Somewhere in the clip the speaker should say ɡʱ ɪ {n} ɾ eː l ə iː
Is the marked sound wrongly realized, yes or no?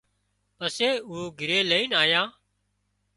yes